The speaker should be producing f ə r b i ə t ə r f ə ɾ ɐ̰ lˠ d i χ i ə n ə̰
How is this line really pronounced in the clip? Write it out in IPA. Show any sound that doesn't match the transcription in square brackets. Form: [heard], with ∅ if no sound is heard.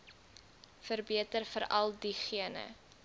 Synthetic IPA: f ə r b i ə t ə r f ə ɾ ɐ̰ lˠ d i χ i ə n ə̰